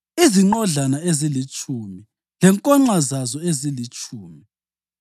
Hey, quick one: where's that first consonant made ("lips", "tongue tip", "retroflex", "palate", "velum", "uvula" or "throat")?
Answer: tongue tip